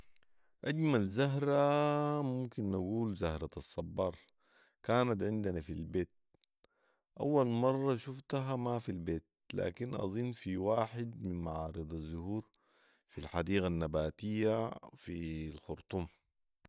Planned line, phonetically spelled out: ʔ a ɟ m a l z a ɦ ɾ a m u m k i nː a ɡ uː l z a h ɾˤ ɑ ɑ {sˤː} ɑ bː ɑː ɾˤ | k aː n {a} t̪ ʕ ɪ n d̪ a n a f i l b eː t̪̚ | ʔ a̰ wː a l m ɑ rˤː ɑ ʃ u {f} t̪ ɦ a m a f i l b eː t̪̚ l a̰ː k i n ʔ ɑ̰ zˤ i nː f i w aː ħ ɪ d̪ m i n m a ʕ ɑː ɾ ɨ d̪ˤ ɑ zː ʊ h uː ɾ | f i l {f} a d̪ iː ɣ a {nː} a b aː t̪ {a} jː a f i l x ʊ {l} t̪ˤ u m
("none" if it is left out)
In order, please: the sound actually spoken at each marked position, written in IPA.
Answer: sˤː, a, f, ħ, nː, i, ɾ

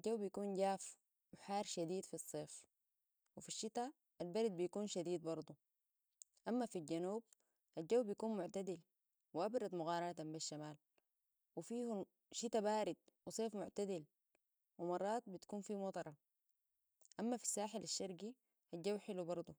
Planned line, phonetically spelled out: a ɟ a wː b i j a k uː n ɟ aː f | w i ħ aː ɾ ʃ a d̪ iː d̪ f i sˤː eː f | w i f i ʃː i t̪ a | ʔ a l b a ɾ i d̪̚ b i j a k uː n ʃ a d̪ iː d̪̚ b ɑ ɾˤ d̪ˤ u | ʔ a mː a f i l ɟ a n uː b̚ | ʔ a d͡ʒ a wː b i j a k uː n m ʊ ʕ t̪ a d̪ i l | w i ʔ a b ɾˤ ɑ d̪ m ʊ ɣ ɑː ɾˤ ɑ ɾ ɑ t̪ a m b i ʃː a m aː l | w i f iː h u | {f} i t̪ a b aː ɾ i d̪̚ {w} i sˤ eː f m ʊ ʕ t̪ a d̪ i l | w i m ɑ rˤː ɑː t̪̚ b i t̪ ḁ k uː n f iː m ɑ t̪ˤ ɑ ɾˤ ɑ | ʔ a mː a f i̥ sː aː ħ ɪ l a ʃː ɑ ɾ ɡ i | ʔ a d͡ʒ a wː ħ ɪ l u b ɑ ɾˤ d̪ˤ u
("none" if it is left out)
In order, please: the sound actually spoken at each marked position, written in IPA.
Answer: ʃ, w

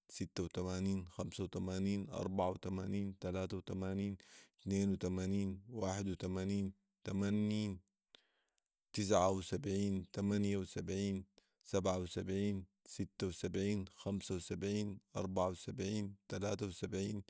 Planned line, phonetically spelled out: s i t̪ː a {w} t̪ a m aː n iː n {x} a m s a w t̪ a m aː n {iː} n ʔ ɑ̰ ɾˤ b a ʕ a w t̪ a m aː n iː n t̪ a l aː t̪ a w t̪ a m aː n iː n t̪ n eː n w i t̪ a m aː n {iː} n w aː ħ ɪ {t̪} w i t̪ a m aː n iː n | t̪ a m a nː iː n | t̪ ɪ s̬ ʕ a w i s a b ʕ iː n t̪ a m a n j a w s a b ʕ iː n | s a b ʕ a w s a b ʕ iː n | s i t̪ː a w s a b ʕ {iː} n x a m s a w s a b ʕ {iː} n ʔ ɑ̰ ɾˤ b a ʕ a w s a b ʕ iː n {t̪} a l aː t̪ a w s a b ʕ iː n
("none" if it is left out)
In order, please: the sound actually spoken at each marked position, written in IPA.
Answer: w, x, iː, iː, d̪, iː, iː, t̪

